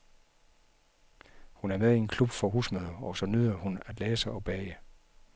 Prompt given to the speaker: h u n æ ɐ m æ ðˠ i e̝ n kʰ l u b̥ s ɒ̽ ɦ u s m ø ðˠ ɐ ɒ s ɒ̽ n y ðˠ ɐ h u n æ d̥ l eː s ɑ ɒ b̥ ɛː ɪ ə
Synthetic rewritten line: h u n æ ɐ m e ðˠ i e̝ n kʰ l u b̥ f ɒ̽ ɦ u s m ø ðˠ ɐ ɒ s ɒ̽ n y ðˠ ɐ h u n æ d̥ l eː s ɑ ɒ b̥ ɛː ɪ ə